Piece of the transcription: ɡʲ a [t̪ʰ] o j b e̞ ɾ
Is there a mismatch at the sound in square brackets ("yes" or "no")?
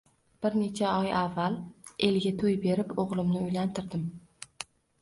no